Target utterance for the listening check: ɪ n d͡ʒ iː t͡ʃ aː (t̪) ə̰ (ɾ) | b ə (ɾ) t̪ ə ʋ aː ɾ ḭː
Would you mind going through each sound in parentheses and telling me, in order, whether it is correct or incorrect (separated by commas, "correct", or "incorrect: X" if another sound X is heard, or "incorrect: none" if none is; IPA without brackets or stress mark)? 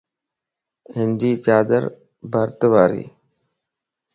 incorrect: d̪, correct, correct